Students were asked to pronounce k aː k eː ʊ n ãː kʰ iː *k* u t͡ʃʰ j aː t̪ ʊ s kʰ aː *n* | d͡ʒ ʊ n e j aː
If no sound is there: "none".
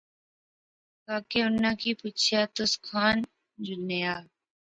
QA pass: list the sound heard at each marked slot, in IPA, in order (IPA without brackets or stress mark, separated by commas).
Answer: p, n